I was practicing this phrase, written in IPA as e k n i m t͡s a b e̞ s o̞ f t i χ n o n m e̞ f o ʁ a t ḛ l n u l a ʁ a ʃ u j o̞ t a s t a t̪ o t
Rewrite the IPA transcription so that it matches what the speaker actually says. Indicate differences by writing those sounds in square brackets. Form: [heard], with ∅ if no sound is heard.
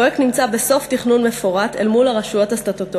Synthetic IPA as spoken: e k n i m t͡s a b e̞ s o̞ f t i χ n [u] n m e̞ f o ʁ a t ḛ l [m] u l a ʁ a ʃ u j o̞ t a s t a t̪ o t